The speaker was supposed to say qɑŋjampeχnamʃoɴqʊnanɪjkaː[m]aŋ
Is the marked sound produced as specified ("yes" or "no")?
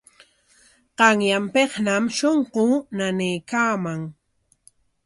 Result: yes